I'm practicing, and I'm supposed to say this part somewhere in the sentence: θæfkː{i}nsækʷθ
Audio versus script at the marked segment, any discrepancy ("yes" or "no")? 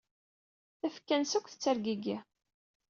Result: yes